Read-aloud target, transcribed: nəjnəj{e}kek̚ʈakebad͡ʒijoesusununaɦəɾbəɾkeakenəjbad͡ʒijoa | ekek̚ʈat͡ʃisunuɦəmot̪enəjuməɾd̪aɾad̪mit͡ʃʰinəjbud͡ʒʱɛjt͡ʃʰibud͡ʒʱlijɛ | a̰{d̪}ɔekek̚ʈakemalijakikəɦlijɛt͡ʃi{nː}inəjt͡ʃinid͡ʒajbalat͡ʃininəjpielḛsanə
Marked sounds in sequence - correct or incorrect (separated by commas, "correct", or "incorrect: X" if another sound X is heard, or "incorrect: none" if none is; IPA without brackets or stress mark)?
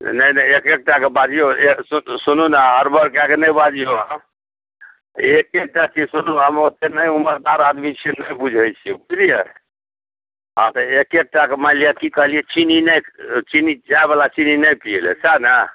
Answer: correct, incorrect: t̪, incorrect: n